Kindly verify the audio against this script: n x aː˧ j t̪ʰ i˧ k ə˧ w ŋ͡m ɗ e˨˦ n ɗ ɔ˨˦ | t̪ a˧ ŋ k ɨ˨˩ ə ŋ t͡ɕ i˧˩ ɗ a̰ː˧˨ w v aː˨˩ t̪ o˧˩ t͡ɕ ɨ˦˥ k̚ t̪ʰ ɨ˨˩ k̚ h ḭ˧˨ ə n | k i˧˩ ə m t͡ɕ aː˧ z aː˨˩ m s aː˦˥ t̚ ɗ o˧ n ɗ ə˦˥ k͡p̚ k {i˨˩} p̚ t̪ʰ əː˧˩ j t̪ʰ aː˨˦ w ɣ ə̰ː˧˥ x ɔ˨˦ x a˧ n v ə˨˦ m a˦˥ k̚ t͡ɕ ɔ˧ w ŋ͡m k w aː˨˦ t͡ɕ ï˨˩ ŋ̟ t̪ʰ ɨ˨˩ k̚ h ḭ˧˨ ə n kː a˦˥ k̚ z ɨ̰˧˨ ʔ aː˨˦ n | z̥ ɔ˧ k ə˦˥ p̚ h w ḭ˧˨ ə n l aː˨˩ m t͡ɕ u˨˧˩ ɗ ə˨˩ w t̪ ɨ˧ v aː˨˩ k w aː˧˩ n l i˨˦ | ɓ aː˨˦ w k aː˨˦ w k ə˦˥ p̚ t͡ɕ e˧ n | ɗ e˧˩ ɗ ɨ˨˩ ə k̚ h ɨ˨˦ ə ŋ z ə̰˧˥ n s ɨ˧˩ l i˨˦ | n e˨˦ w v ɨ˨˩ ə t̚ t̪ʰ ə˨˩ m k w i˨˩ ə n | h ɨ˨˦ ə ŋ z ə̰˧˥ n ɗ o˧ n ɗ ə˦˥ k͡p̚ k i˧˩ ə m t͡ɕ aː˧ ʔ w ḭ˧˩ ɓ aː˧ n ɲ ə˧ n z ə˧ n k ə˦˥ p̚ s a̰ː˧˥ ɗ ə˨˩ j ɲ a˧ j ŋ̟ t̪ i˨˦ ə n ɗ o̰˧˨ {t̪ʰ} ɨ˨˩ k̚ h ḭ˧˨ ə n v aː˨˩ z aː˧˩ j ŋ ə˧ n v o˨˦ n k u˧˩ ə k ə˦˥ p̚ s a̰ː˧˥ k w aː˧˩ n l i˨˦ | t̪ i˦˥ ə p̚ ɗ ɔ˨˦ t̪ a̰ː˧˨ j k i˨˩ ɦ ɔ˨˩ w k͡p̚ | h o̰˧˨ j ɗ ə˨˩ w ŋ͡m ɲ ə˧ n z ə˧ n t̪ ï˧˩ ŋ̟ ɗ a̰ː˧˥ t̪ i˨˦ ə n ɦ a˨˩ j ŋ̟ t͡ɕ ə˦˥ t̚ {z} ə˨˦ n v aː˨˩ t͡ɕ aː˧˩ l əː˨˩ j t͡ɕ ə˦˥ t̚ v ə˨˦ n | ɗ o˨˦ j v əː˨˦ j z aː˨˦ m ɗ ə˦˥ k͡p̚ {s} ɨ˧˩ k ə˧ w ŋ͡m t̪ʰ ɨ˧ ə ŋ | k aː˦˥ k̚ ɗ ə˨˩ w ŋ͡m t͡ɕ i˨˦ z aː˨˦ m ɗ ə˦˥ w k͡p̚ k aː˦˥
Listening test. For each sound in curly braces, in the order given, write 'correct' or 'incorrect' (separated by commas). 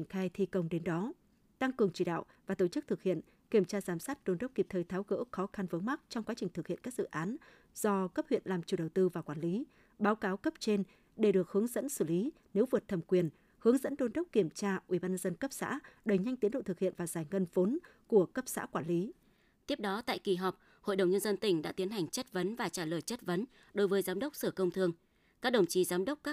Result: correct, incorrect, incorrect, correct